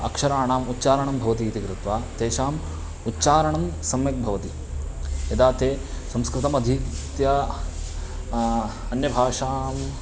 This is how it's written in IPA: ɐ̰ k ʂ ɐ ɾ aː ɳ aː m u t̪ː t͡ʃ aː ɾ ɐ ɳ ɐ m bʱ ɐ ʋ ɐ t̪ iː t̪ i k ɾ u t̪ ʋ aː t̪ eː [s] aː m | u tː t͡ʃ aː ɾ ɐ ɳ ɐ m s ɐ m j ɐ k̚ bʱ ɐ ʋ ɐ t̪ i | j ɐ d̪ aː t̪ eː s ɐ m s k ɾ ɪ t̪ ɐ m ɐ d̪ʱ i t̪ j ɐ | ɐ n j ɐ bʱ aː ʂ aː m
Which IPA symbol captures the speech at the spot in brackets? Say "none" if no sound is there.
ʃ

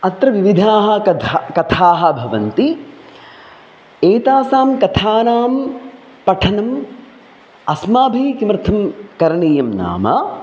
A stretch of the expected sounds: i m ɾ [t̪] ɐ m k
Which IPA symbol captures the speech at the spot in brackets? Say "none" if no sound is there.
t̪ʰ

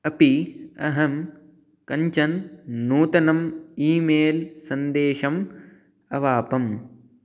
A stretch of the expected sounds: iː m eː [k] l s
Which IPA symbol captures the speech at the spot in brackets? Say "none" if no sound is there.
none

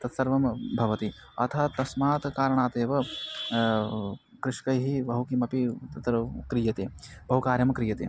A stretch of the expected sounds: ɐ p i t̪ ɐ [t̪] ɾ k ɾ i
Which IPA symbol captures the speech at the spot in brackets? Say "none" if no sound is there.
t̪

